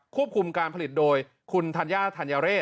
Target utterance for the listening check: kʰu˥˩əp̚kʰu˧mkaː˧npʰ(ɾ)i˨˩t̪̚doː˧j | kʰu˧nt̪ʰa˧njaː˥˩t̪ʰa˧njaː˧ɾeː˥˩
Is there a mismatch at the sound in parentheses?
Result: yes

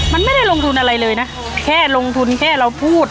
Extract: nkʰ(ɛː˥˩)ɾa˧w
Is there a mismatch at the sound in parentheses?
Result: no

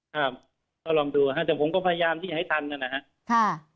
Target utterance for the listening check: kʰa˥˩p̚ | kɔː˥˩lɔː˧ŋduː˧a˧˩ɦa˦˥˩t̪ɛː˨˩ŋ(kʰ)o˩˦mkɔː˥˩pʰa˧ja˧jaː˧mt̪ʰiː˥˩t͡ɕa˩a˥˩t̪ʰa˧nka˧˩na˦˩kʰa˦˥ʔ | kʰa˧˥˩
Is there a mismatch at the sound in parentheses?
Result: yes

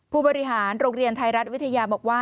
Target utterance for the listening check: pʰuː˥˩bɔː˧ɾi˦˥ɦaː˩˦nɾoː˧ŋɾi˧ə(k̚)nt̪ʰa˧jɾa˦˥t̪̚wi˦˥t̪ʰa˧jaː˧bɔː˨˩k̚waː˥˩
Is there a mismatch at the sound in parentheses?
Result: yes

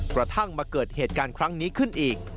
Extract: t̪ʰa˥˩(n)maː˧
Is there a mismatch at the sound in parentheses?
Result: yes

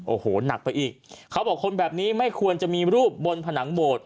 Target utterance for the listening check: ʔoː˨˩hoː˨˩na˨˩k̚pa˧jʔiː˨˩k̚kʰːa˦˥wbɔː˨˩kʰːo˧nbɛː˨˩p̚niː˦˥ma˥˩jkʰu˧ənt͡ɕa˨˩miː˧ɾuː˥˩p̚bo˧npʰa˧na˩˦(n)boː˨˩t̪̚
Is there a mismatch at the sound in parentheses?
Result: yes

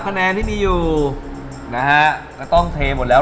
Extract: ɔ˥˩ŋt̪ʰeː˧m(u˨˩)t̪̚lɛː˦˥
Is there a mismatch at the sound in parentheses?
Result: yes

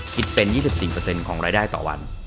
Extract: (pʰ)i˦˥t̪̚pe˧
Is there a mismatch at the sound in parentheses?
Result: yes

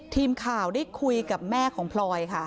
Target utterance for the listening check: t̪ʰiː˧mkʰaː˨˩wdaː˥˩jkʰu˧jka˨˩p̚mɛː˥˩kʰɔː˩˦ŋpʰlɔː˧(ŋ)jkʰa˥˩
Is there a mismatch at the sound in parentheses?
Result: yes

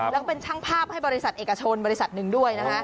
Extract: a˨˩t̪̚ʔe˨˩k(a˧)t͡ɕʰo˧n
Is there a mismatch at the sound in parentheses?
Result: no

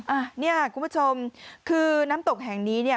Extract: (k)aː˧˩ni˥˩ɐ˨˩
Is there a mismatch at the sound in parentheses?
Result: yes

